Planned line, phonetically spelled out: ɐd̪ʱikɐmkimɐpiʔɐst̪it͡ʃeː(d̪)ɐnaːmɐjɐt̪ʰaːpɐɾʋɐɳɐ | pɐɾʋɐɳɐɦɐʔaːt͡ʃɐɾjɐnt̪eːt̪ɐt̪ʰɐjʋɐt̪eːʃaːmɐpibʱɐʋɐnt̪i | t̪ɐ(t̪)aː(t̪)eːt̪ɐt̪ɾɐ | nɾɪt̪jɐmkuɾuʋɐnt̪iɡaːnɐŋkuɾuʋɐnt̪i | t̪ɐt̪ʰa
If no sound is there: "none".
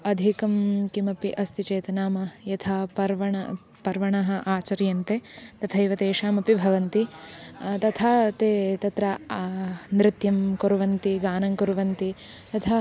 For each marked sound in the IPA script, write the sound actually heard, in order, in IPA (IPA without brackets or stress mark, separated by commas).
t̪, t̪ʰ, t̪